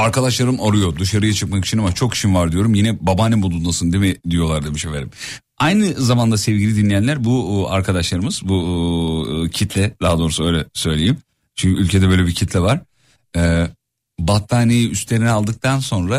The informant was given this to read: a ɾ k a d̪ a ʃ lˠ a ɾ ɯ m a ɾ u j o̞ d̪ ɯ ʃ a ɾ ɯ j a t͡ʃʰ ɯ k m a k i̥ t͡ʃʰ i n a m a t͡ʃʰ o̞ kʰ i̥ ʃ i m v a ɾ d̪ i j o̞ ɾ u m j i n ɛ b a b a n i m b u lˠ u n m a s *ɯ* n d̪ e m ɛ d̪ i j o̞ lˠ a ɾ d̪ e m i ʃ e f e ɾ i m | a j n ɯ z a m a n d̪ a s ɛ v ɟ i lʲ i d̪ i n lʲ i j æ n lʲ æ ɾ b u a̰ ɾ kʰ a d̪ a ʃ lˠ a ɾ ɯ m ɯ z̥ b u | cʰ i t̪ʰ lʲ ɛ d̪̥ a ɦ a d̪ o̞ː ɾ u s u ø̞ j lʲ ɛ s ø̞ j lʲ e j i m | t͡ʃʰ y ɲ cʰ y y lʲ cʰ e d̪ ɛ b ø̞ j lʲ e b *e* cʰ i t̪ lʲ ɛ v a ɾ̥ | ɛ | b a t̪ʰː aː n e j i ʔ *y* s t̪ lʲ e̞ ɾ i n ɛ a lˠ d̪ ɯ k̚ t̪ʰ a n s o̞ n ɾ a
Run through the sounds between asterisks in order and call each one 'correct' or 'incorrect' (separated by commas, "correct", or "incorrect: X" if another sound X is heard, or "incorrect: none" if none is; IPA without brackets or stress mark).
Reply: correct, incorrect: i, correct